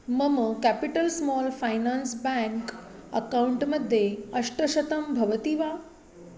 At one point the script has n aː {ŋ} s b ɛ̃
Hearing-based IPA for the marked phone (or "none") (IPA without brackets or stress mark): n